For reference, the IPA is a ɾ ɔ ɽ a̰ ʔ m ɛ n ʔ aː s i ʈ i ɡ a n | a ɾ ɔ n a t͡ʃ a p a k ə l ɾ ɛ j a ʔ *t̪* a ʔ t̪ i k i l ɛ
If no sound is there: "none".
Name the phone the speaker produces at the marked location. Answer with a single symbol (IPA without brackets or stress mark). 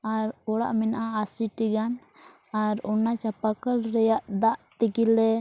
d̪